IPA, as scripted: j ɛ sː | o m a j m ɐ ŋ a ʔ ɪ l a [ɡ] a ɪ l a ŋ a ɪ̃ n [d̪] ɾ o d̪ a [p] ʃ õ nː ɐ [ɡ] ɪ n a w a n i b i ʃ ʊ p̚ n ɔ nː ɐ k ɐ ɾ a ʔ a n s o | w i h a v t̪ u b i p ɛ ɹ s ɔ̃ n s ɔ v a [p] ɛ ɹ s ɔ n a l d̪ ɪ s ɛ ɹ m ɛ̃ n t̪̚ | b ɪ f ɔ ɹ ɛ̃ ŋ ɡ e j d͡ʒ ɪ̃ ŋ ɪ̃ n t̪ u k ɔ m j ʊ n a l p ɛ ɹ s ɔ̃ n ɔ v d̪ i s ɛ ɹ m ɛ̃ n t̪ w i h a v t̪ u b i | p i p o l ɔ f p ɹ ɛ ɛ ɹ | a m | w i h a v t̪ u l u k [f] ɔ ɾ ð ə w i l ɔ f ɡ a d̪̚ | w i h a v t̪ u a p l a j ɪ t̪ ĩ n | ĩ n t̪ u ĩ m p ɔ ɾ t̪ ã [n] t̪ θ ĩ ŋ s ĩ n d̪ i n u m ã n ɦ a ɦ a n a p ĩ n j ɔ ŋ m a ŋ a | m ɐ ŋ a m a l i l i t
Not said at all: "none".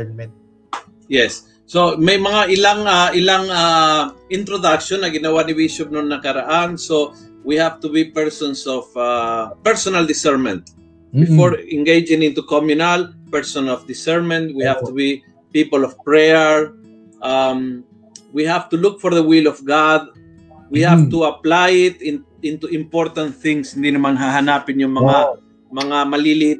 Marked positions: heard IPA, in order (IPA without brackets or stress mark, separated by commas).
ŋ, t̪, k, ɡ, p, f, n